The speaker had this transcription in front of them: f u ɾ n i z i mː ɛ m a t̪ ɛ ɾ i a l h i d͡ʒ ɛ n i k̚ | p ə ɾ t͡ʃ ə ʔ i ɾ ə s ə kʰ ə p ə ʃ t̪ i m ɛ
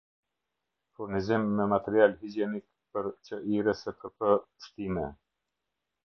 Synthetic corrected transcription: f u ɾ n i z i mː ɛ m a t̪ ɛ ɾ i a l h i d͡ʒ ɛ n i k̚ | p ə ɾ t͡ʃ ə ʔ i ɾ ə s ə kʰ ə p ə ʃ t̪ i m ɛ